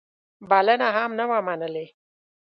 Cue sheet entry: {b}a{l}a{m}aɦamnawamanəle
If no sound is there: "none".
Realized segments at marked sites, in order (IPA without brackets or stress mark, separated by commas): b, l, n